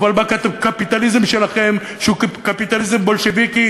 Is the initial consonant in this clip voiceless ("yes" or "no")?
no